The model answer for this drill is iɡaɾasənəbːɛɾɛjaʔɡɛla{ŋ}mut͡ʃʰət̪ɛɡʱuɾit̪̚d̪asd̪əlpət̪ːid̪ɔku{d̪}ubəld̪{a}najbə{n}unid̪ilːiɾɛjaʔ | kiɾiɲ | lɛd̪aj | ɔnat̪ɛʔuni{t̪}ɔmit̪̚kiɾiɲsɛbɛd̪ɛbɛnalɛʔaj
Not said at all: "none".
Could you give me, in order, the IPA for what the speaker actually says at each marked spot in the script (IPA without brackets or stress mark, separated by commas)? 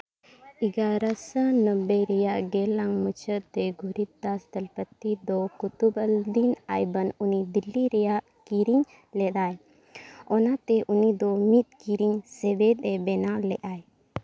ŋ, t̪, i, n, d̪